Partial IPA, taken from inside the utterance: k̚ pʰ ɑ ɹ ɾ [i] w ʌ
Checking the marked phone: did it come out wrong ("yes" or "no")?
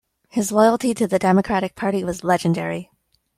no